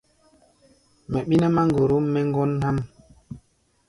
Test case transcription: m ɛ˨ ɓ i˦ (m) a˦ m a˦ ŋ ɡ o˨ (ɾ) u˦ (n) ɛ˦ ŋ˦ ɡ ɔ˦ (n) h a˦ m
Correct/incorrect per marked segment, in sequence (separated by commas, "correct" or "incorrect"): incorrect, correct, incorrect, correct